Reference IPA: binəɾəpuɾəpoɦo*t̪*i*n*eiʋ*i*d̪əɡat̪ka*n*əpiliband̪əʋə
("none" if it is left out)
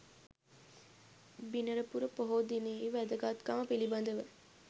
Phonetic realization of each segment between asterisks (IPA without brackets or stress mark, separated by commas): d̪, n, æ, m